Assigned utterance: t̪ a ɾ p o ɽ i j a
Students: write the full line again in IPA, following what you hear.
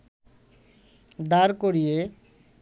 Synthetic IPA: d̪ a ɾ k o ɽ i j e